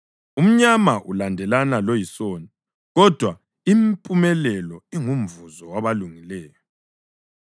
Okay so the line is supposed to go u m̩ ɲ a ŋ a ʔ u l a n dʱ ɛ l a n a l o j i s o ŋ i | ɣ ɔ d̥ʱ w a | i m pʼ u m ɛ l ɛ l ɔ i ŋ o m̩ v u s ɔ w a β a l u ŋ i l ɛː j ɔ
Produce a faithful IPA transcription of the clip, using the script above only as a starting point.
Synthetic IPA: u m̩ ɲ a m a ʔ u l a n dʱ ɛ l a n a l o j i s o n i | ɣ ɔ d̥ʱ w a | i m pʼ u m ɛ l ɛ l ɔ i ŋ u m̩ v u z ɔ w a β a l u ŋ i l ɛː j ɔ